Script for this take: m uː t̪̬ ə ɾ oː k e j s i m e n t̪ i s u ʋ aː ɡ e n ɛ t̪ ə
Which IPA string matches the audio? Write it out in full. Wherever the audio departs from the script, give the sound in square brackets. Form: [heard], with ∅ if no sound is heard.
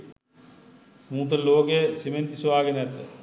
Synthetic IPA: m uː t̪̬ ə [l] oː k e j s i m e n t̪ i s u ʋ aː ɡ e n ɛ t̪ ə